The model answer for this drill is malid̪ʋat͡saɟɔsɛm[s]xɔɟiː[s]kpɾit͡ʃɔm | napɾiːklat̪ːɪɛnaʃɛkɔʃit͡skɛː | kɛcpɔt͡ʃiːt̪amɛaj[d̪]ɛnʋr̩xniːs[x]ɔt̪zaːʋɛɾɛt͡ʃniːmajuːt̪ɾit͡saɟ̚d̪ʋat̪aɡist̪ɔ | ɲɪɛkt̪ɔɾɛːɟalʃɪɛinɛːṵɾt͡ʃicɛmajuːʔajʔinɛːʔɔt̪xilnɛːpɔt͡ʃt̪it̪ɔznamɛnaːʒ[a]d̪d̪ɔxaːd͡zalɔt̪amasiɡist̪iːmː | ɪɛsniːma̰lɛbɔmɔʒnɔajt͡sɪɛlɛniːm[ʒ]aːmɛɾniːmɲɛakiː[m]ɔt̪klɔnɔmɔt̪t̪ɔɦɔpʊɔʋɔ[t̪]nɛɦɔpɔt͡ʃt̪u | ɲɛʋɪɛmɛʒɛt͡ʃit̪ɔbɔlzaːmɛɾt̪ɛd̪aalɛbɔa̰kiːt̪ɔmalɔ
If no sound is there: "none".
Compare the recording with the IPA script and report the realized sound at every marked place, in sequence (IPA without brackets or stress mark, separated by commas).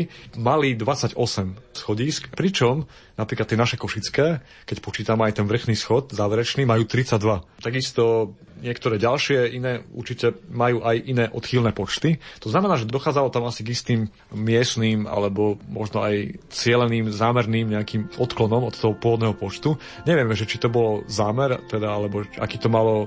s, s, t̪, x, ɛ, z, m, d̪